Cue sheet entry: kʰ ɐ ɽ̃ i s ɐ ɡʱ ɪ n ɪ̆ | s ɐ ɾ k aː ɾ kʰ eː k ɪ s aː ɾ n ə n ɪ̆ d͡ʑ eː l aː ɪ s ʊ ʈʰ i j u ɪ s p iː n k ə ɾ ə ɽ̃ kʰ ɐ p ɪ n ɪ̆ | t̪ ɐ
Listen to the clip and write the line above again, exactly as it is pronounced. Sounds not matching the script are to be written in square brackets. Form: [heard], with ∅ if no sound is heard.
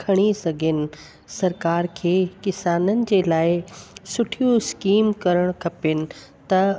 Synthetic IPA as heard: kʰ ɐ ɽ̃ i s ɐ ɡʱ ɪ n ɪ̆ | s ɐ ɾ k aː ɾ kʰ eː k ɪ s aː [∅] n ə n ɪ̆ d͡ʑ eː l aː ɪ s ʊ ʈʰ i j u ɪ s [k] iː [m] k [ɐ] ɾ ə ɽ̃ kʰ ɐ p ɪ n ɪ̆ | t̪ ɐ